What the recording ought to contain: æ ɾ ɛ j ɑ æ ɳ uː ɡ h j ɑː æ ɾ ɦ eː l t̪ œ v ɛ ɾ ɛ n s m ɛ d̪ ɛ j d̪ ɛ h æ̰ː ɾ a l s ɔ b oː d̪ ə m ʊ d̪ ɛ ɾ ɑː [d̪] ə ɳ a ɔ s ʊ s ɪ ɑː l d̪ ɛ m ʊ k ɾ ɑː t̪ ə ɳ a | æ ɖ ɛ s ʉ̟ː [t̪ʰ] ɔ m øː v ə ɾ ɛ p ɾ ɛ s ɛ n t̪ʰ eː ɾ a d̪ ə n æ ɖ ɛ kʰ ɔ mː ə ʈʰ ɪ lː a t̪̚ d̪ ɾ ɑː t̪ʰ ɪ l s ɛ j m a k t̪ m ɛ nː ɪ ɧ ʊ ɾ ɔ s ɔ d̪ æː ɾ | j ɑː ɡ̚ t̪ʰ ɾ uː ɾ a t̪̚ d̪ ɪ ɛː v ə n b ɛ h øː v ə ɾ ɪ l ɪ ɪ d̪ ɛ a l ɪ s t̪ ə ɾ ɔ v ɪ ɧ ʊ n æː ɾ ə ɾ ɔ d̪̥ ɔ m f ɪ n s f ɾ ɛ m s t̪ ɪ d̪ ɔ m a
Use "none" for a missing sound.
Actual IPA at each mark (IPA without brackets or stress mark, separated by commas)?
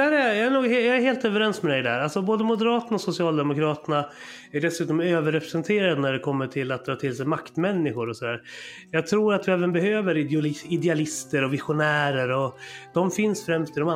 t̪, t̪